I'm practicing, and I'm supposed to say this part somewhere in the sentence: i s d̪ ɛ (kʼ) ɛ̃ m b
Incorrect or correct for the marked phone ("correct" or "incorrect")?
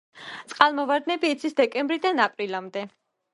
correct